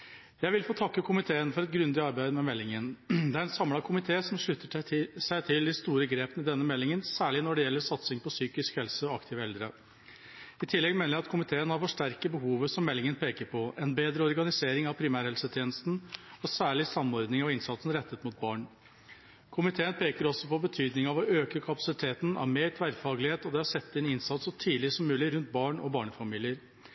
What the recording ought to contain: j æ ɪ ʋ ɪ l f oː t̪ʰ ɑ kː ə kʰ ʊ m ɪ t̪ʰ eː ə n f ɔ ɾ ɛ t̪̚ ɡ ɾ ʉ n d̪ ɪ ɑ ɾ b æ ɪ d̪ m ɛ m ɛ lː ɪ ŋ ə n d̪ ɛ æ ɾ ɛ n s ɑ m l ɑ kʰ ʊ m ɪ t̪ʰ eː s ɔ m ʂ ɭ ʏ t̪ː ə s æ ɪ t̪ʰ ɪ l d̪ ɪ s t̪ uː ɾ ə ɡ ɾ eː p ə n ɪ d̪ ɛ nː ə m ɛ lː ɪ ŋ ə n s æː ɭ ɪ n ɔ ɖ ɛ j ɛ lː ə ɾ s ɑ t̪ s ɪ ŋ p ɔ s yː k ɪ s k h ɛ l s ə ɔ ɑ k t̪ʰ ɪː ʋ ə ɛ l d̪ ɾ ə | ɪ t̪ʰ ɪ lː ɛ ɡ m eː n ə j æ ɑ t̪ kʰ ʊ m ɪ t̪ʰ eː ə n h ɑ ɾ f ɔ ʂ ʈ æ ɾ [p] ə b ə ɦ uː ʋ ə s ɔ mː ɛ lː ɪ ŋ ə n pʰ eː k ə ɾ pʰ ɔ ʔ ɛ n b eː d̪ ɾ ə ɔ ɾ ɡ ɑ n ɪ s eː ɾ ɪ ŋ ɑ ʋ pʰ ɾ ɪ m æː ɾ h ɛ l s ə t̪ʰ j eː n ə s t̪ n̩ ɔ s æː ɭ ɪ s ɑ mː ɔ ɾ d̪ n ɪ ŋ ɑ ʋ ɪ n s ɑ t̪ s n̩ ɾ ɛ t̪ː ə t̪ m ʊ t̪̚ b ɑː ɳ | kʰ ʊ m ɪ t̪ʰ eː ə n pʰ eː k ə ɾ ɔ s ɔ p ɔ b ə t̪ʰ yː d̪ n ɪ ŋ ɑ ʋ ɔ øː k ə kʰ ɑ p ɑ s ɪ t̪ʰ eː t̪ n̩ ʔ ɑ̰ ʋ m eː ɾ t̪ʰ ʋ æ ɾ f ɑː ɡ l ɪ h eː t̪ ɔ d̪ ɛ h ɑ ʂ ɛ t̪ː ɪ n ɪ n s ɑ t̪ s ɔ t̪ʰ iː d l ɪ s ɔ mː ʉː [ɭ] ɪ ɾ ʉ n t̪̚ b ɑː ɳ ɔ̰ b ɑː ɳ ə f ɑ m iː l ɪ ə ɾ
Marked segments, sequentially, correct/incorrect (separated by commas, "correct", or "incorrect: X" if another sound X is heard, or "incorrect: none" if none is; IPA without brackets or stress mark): incorrect: k, incorrect: l